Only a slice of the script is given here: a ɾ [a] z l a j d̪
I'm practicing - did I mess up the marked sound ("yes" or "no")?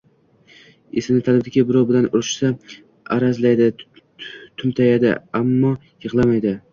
no